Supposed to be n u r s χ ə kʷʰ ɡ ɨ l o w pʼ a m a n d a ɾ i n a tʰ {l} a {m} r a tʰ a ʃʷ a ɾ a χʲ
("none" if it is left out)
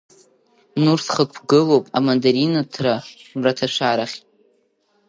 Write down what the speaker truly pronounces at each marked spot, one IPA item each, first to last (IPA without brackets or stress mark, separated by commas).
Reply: r, m